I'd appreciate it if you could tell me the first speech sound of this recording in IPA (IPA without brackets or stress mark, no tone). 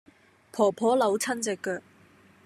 pʰ